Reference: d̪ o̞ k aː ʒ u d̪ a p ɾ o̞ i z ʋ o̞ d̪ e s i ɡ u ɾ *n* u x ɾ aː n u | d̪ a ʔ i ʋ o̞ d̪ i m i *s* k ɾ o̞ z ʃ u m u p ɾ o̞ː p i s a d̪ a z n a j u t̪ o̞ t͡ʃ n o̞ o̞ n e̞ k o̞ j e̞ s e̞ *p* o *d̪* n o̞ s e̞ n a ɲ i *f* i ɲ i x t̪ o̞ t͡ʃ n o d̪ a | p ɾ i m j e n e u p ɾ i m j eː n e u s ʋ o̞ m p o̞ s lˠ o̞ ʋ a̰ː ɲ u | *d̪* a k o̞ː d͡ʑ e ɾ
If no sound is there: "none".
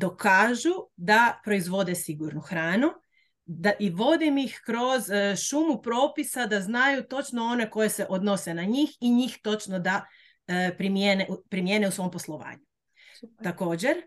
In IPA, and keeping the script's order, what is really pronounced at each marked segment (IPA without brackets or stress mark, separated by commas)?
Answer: n, x, ʔ, d̪, x, t̪